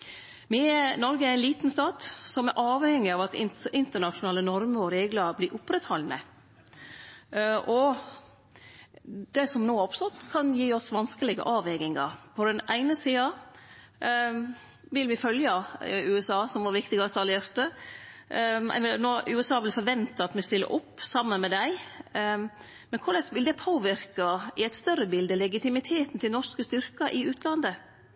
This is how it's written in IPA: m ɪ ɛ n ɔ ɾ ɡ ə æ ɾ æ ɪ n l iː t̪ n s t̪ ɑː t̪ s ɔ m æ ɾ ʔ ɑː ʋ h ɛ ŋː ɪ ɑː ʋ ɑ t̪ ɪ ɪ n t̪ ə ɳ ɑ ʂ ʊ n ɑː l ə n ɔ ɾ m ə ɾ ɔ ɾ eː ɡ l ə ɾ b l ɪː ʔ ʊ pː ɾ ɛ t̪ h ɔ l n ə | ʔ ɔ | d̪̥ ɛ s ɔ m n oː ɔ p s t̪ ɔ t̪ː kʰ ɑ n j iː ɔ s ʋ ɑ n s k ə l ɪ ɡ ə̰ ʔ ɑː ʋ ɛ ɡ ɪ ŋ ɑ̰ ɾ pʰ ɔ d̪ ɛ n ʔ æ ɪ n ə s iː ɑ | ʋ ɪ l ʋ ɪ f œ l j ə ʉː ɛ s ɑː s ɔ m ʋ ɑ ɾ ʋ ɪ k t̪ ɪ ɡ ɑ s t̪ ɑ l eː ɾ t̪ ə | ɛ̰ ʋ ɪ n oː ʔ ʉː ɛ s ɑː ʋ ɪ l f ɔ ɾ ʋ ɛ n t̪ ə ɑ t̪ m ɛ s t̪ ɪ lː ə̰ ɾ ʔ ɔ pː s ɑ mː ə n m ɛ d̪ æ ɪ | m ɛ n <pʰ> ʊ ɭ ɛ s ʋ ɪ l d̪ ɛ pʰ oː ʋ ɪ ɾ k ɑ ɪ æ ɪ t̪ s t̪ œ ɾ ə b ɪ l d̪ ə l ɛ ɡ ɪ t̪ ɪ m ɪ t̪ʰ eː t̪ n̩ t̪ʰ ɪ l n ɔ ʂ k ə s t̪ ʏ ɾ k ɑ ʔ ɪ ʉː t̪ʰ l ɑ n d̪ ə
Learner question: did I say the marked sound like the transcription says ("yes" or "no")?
no